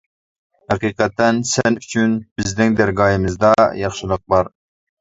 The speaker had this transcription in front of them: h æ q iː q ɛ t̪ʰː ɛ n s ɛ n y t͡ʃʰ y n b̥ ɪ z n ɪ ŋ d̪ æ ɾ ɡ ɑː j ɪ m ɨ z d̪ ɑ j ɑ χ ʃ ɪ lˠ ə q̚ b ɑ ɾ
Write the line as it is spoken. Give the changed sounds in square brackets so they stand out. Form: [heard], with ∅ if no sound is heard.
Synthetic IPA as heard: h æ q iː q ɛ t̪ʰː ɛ n s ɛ n y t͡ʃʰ y n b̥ ɪ z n ɪ ŋ d̪ æ ɾ ɡ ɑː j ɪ m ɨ z d̪ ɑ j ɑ χ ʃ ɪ lˠ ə q̚ b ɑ ɾ